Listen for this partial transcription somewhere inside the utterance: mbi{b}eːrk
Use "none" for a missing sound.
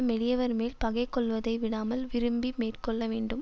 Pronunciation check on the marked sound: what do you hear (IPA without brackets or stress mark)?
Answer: m